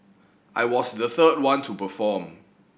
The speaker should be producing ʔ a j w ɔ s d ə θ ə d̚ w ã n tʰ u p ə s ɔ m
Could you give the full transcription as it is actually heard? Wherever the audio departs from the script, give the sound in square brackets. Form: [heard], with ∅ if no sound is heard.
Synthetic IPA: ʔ a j w ɔ s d ə θ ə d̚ w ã n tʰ u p ə [f] ɔ m